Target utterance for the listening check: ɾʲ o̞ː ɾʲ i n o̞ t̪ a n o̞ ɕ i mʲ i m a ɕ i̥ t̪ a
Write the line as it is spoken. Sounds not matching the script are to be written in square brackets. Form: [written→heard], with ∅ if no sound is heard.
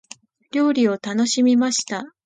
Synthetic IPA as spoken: ɾʲ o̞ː ɾʲ i [n→∅] o̞ t̪ a n o̞ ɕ i mʲ i m a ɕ i̥ t̪ a